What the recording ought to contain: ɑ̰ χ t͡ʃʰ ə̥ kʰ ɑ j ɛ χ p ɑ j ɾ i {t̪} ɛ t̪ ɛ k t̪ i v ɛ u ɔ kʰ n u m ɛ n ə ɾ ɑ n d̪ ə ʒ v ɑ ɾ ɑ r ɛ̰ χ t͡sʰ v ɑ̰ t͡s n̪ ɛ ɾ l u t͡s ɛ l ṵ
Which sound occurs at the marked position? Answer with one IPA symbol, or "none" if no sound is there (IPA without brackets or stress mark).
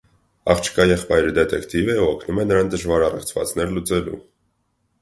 d̪